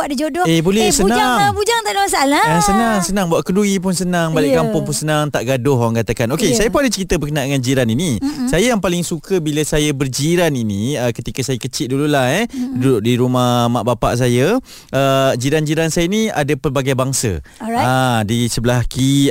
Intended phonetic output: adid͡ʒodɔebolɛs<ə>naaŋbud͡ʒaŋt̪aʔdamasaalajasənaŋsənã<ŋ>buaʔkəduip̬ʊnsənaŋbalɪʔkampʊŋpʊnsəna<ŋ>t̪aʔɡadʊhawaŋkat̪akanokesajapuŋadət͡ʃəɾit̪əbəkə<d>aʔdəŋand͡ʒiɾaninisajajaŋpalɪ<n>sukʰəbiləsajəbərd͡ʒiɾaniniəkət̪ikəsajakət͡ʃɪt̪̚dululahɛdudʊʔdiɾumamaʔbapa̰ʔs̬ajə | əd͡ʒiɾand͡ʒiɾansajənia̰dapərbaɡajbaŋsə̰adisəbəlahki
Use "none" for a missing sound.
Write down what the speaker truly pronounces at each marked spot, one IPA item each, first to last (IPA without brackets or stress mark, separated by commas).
ə, ŋ, ŋ, n, ŋ